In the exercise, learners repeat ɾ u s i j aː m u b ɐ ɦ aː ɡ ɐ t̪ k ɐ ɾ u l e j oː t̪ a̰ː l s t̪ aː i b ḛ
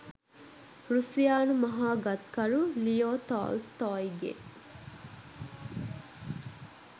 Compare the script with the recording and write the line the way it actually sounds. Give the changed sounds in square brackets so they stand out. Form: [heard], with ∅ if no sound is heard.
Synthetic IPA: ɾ u s i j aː [n] u [m] ɐ ɦ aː ɡ ɐ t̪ k ɐ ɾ u l [i] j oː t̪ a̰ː l s t̪ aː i [ɡ] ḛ